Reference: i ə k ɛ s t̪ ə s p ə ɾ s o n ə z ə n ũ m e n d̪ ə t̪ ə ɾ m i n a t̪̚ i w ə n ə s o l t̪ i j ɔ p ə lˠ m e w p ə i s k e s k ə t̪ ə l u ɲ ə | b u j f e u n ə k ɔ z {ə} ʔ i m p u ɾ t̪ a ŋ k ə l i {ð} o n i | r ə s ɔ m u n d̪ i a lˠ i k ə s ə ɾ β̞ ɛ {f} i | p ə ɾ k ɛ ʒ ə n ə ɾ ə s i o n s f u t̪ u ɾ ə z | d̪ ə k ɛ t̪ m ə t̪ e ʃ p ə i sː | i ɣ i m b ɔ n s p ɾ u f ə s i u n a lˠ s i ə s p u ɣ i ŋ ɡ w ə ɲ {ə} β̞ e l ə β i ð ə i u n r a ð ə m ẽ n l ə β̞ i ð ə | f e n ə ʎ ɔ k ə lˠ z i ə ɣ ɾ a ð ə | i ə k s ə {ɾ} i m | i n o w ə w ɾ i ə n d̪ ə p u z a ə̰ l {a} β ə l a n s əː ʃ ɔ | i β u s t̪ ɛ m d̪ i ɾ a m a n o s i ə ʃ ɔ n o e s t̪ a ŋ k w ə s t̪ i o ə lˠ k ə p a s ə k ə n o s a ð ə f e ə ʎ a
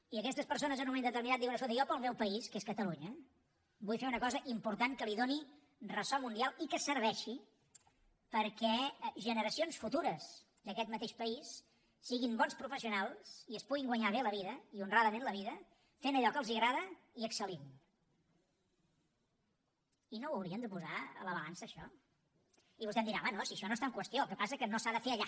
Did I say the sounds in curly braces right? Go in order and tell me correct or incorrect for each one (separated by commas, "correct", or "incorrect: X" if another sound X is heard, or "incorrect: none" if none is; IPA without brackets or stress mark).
correct, correct, incorrect: ʃ, incorrect: a, incorrect: l, incorrect: ə